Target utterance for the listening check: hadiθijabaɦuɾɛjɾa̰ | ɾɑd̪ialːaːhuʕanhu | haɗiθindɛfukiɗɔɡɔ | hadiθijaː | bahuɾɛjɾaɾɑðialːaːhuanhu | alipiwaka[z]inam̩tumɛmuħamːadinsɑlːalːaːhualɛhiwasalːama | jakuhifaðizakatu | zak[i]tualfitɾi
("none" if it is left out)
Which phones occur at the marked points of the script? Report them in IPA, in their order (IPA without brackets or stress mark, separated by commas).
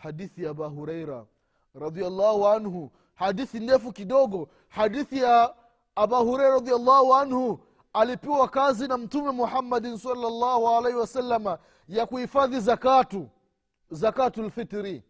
z, a